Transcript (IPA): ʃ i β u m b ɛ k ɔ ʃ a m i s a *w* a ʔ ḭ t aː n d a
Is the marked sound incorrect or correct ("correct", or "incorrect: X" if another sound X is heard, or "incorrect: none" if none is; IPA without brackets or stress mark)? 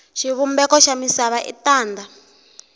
incorrect: β